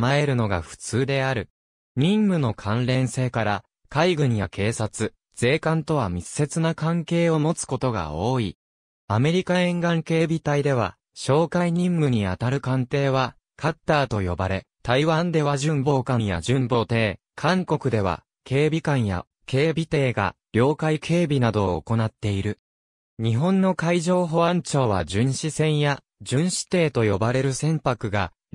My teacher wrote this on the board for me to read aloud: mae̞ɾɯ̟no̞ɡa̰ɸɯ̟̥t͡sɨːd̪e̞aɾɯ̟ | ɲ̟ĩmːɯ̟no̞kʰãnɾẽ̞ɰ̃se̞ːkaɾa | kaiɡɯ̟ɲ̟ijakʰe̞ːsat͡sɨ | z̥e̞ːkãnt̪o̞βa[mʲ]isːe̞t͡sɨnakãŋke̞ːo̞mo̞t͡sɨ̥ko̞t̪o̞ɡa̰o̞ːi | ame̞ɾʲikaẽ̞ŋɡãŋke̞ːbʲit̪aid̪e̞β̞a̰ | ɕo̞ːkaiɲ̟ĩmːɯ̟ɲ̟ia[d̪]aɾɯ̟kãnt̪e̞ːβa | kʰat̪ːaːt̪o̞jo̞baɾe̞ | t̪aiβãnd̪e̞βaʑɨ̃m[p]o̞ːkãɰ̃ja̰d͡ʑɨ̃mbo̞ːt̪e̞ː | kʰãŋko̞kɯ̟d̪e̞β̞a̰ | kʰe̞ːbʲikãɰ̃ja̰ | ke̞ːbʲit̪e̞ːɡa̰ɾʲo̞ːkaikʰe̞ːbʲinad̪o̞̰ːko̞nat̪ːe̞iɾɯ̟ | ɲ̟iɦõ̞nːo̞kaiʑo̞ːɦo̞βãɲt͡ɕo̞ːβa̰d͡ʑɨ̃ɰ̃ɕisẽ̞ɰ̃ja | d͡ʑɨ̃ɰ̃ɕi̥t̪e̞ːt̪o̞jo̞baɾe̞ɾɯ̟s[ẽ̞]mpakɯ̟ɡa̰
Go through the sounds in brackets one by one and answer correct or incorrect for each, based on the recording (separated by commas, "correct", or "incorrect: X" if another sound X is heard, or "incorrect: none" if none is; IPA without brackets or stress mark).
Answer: correct, incorrect: t̪, incorrect: b, correct